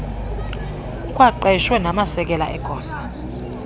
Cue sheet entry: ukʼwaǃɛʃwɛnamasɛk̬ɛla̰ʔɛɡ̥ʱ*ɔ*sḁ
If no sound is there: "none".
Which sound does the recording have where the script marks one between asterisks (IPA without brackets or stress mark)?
ɔː